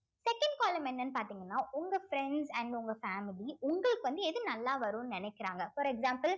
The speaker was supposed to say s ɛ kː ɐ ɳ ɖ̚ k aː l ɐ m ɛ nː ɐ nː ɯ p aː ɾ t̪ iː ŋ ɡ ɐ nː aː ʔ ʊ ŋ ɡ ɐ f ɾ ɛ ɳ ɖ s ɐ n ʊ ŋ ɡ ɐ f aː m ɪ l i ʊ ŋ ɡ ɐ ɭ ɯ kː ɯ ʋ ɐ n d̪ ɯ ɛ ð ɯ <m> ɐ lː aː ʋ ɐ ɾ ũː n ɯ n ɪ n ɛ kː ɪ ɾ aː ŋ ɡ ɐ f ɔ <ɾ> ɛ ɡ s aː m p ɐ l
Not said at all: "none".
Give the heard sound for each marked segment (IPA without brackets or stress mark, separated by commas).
n, ɾ